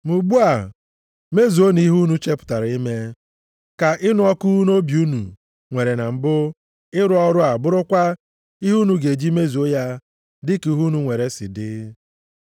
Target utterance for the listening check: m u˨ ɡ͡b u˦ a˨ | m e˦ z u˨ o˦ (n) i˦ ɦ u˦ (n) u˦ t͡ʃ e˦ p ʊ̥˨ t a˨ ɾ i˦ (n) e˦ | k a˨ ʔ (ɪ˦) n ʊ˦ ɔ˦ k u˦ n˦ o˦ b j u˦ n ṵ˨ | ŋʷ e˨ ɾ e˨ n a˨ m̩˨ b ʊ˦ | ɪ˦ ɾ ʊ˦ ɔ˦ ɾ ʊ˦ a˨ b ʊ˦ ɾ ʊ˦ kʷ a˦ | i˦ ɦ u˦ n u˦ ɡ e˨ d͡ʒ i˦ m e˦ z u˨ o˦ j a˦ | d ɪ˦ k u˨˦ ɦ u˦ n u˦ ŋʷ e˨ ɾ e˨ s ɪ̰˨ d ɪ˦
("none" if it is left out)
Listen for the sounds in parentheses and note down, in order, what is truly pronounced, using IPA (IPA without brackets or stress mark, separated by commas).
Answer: n, n, m, ɪ˦